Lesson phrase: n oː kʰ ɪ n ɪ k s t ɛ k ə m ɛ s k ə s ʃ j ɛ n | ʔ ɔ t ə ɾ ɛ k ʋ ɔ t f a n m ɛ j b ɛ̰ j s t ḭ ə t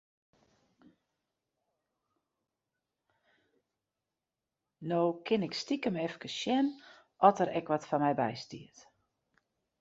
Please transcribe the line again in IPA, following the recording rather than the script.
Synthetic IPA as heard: n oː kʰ ɪ n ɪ k s t i k ə m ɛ f k ə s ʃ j ɛ n | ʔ ɔ t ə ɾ ɛ k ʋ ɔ t f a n m ɛ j b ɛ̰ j s t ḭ ə t